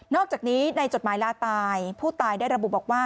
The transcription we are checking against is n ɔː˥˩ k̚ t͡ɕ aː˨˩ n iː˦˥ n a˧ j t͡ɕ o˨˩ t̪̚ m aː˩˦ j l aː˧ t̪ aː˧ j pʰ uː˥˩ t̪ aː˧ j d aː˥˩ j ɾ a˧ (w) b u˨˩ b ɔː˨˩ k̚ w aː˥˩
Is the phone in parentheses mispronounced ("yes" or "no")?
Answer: yes